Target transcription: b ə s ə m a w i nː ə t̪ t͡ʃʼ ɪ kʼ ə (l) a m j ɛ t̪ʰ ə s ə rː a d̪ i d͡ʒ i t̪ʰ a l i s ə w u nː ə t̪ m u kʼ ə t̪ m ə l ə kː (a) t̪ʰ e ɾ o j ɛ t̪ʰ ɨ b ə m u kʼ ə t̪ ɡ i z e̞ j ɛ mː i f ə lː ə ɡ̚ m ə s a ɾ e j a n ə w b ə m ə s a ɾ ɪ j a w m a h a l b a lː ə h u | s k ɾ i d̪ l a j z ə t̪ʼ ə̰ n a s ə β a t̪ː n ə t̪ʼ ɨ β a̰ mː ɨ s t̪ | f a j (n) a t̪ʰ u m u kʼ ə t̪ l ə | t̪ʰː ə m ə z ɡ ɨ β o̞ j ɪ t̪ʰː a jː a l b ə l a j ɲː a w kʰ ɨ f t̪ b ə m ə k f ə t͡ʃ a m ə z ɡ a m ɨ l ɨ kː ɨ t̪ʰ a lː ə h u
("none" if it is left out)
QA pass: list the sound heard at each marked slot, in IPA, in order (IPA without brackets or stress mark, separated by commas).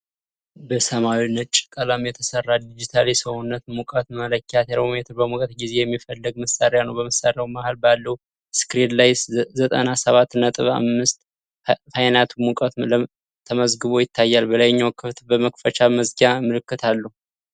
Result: l, a, n